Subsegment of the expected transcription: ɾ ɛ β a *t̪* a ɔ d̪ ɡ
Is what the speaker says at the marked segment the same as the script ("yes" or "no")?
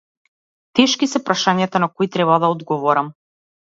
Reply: no